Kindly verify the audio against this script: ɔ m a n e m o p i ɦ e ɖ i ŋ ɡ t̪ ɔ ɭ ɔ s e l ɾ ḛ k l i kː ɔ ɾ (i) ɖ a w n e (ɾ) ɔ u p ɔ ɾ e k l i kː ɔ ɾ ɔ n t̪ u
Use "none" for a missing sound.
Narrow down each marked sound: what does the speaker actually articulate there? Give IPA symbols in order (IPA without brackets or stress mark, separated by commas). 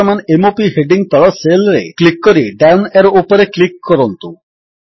i, ɾ